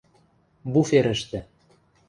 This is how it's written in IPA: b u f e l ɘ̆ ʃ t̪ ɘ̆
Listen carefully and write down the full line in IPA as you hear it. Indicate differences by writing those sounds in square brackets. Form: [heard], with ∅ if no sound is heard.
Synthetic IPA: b u f e [ɾ] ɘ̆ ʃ t̪ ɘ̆